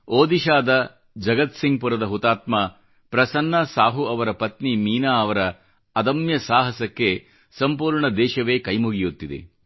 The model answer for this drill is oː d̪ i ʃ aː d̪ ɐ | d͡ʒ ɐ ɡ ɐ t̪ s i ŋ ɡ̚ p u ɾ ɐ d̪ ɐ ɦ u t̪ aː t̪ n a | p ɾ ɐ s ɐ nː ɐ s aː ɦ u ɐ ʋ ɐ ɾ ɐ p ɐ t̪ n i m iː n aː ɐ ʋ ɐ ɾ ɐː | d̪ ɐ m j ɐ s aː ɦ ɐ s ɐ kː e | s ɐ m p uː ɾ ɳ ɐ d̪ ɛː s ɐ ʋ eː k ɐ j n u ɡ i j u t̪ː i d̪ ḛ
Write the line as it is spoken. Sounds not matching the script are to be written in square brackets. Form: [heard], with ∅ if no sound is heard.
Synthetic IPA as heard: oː d̪ i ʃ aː d̪ ɐ | d͡ʒ ɐ ɡ ɐ t̪ s i ŋ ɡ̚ p u ɾ ɐ d̪ ɐ ɦ u t̪ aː t̪ [m] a | p ɾ ɐ s ɐ nː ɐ s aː ɦ u ɐ ʋ ɐ ɾ ɐ p ɐ t̪ n i m iː n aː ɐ ʋ ɐ ɾ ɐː | d̪ ɐ m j ɐ s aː ɦ ɐ s ɐ kː e | s ɐ m p uː ɾ ɳ ɐ d̪ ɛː [ʃ] ɐ ʋ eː k ɐ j [m] u ɡ i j u t̪ː i d̪ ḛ

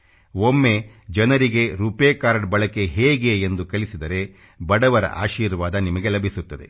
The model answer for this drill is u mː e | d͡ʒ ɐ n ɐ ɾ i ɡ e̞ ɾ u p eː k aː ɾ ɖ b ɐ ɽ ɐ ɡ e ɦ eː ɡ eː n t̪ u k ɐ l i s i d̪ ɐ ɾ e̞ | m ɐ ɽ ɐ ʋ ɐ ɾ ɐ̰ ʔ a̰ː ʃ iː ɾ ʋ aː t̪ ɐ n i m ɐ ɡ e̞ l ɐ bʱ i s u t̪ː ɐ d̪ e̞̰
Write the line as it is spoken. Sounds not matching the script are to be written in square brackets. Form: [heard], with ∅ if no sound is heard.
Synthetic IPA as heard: [o] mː e | d͡ʒ ɐ n ɐ ɾ i ɡ e̞ ɾ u p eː k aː ɾ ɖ b ɐ [ɭ] ɐ [k] e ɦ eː ɡ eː n [d̪] u k ɐ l i s i d̪ ɐ ɾ e̞ | [b] ɐ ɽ ɐ ʋ ɐ ɾ ɐ̰ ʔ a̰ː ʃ iː ɾ ʋ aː [d̪] ɐ n i m ɐ ɡ e̞ l ɐ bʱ i s u t̪ː ɐ d̪ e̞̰

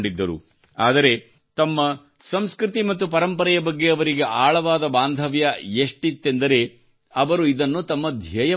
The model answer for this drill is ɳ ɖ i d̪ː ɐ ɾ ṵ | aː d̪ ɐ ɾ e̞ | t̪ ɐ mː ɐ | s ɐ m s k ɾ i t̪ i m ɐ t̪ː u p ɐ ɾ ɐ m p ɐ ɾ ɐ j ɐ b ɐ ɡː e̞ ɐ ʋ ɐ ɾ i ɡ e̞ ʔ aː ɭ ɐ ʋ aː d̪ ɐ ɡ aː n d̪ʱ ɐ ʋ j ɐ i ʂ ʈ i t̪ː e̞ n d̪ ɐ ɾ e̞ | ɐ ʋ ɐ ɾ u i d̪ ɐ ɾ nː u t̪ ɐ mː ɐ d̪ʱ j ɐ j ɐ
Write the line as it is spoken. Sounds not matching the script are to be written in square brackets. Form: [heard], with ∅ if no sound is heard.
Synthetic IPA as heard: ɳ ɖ i d̪ː ɐ ɾ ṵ | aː d̪ ɐ ɾ e̞ | t̪ ɐ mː ɐ | s ɐ m s k ɾ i t̪ i m ɐ t̪ː u p ɐ ɾ ɐ m p ɐ ɾ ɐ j ɐ b ɐ ɡː e̞ ɐ ʋ ɐ ɾ i ɡ e̞ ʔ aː ɭ ɐ ʋ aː d̪ ɐ [b] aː n d̪ʱ ɐ ʋ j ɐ [e] ʂ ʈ i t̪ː e̞ n d̪ ɐ ɾ e̞ | ɐ ʋ ɐ ɾ u i d̪ ɐ [∅] nː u t̪ ɐ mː ɐ d̪ʱ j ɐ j ɐ

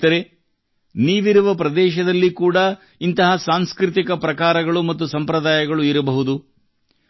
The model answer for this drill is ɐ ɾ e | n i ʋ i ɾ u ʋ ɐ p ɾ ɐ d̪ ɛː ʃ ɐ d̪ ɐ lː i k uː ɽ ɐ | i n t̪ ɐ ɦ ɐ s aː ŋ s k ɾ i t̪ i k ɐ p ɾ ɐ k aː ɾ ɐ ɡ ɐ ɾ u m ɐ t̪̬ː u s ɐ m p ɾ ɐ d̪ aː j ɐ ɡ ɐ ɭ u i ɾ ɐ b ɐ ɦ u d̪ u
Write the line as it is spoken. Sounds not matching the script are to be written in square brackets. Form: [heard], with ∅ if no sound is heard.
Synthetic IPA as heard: ɐ ɾ e | n [iː] ʋ i ɾ u ʋ ɐ p ɾ ɐ d̪ ɛː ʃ ɐ d̪ ɐ lː i k uː ɽ ɐ | i n t̪ ɐ ɦ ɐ s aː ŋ s k ɾ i t̪ i k ɐ p ɾ ɐ k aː ɾ ɐ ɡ ɐ [ɭ] u m ɐ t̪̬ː u s ɐ m p ɾ ɐ d̪ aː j ɐ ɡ ɐ ɭ u i ɾ ɐ b ɐ ɦ u d̪ u

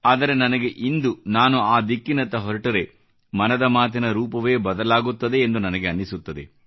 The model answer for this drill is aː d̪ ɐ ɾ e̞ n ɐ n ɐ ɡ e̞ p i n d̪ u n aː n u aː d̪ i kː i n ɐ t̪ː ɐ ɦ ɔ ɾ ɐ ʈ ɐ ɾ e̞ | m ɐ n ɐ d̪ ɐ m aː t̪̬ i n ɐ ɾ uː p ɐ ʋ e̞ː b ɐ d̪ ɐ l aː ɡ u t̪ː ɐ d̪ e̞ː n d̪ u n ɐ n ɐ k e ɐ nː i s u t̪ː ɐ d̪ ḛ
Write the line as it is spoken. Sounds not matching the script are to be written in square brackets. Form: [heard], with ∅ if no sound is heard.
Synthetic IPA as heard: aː d̪ ɐ ɾ e̞ n ɐ n ɐ ɡ e̞ [ʔ] i n d̪ u n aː n u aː d̪ i kː i n ɐ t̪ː ɐ ɦ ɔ ɾ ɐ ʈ ɐ ɾ e̞ | m ɐ n ɐ d̪ ɐ m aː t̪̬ i n ɐ ɾ uː p ɐ ʋ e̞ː b ɐ d̪ ɐ l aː ɡ u t̪ː ɐ d̪ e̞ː n d̪ u n ɐ n ɐ [ɡ] e ɐ nː i s u t̪ː ɐ d̪ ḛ

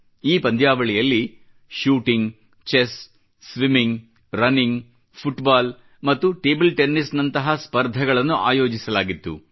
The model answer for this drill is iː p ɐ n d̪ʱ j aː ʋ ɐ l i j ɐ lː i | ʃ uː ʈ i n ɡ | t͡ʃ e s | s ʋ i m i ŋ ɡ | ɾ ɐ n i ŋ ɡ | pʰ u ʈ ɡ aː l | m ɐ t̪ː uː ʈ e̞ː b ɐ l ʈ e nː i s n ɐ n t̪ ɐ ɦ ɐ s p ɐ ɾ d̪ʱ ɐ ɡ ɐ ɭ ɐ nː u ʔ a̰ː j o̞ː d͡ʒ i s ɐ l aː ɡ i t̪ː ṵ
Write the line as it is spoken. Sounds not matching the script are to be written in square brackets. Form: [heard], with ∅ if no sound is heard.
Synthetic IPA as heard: iː p ɐ n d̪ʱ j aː ʋ ɐ [ɭ] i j ɐ lː i | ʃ uː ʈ i [ŋ] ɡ | t͡ʃ e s | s ʋ i m i ŋ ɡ | ɾ ɐ n i ŋ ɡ | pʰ u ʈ [b] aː l | m ɐ t̪ː [u] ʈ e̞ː b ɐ l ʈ e nː i s n ɐ n t̪ ɐ ɦ ɐ s p ɐ ɾ d̪ʱ ɐ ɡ ɐ ɭ ɐ nː u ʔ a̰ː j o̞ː d͡ʒ i s ɐ l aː ɡ i t̪ː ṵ

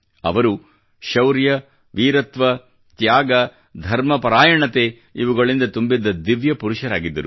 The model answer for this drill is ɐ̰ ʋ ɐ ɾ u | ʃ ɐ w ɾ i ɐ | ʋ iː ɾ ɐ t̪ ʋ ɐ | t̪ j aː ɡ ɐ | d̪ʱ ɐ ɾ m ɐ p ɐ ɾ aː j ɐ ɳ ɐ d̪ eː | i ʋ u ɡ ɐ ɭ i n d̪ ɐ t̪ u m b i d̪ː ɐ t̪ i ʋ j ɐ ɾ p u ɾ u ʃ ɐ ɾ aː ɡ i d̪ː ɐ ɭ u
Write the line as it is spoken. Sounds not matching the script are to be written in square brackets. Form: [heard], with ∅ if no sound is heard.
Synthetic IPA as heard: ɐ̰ ʋ ɐ ɾ u | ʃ ɐ w ɾ [j] ɐ | ʋ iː ɾ ɐ t̪ ʋ ɐ | t̪ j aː ɡ ɐ | d̪ʱ ɐ ɾ m ɐ p ɐ ɾ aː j ɐ ɳ ɐ [t̪] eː | i ʋ u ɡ ɐ ɭ i n d̪ ɐ t̪ u m b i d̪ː ɐ [d̪] i ʋ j ɐ [∅] p u ɾ u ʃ ɐ ɾ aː ɡ i d̪ː ɐ [ɾ] u

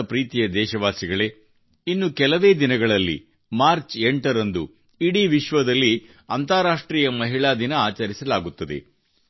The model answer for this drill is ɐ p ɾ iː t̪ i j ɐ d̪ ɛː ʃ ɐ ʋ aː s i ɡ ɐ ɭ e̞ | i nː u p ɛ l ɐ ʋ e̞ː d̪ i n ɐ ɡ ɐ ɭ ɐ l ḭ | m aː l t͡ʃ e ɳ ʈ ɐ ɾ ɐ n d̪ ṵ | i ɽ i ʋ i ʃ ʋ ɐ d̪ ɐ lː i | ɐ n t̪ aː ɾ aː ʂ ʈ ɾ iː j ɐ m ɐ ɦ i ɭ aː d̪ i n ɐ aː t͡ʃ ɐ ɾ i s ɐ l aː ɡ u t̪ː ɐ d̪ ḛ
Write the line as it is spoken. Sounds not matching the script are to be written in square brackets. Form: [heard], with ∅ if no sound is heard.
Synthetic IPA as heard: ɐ p ɾ iː t̪ i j ɐ d̪ ɛː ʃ ɐ ʋ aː s i ɡ ɐ ɭ e̞ | i nː u [k] ɛ l ɐ ʋ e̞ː d̪ i n ɐ ɡ ɐ ɭ ɐ [lː] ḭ | m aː [ɾ] t͡ʃ e ɳ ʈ ɐ ɾ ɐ n d̪ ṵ | i ɽ i ʋ i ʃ ʋ ɐ d̪ ɐ lː i | ɐ n t̪ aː ɾ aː ʂ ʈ ɾ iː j ɐ m ɐ ɦ i ɭ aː d̪ i n ɐ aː t͡ʃ ɐ ɾ i s ɐ l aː ɡ u t̪ː ɐ d̪ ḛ

